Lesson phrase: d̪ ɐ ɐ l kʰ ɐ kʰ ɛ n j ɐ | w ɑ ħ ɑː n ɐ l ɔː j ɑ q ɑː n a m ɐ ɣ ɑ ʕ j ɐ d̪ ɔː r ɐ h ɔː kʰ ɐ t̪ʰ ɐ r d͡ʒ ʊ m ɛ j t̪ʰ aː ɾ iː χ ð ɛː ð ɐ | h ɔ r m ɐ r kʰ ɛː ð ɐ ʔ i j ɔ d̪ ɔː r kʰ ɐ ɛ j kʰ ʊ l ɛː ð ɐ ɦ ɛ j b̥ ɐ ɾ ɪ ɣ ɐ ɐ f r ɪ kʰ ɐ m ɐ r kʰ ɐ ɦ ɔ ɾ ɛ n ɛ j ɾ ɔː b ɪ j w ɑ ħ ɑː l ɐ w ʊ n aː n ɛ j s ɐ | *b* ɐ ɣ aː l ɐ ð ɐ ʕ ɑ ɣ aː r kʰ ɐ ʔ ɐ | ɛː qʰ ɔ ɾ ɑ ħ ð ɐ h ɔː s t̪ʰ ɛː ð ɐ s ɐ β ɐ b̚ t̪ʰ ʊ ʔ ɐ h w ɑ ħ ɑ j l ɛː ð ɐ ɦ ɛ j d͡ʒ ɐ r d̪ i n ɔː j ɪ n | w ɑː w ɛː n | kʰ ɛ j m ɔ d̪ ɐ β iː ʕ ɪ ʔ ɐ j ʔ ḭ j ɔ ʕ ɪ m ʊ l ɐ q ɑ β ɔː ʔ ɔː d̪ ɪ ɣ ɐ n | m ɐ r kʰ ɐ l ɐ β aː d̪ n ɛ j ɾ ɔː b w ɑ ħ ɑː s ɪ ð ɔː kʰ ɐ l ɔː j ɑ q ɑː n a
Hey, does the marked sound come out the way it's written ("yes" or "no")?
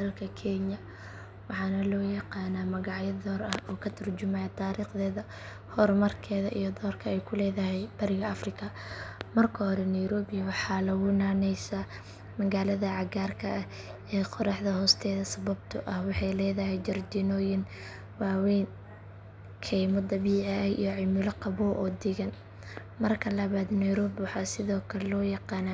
no